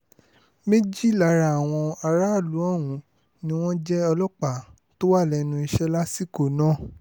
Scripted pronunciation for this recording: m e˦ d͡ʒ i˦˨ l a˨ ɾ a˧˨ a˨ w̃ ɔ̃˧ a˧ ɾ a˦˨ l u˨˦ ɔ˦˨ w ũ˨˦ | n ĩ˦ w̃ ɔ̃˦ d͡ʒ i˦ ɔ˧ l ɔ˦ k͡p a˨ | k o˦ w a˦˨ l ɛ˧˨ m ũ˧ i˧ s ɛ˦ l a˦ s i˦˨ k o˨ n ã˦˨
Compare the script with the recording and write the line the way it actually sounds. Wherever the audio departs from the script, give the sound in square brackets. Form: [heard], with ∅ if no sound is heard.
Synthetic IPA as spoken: m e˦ d͡ʒ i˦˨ l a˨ ɾ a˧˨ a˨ w̃ ɔ̃˧ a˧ ɾ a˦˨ l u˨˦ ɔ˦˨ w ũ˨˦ | n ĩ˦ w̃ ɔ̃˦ d͡ʒ [ɛ˦] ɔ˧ l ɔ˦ k͡p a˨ | [t] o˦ w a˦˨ l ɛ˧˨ [n] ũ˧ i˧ [ʃ] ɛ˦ l a˦ s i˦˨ k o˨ n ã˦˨